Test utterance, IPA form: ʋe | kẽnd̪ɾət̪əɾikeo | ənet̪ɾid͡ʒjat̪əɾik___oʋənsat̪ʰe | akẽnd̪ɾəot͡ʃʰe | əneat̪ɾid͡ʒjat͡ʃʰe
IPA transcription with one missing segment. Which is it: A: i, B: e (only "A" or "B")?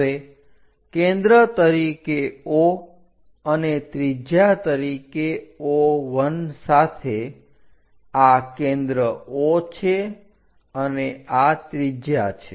B